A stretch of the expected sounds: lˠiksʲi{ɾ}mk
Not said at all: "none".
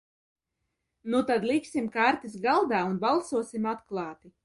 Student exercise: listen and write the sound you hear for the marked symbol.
none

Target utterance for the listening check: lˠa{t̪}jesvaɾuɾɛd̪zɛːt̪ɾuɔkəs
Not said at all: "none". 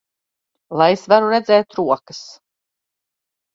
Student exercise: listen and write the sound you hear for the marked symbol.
none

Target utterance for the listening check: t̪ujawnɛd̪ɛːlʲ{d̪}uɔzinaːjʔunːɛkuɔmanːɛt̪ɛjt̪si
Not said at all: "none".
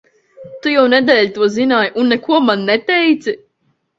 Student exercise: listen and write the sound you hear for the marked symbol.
t̪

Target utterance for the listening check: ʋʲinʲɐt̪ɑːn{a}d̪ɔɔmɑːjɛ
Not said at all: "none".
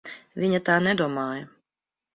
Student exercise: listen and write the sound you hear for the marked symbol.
ɛ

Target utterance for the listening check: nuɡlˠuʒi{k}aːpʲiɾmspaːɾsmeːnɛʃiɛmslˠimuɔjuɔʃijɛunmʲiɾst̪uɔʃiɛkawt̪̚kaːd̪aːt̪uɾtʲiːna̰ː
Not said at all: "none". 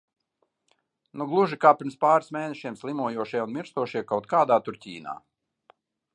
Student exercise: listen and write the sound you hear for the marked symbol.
k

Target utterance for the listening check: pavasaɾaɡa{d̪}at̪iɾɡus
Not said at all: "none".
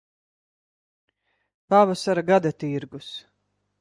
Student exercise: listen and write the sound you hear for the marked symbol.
d̪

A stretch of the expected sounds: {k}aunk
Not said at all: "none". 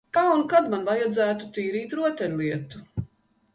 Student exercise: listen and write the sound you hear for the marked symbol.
k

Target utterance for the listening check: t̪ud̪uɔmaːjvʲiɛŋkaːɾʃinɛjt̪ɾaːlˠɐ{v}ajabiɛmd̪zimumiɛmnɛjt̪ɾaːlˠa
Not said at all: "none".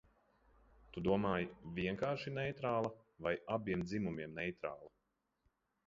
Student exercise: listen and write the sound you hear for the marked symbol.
v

